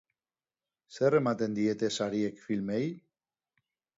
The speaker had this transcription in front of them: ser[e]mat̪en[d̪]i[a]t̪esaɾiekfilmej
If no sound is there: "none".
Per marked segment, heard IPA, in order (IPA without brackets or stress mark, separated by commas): e, d̪, e